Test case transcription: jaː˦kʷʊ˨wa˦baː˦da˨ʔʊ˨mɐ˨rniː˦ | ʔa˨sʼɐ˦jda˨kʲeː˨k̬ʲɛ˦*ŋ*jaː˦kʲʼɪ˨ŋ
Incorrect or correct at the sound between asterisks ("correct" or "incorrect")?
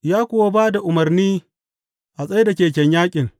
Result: incorrect